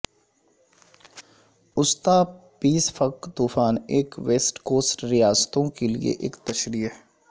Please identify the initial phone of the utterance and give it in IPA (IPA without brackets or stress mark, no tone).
ʊ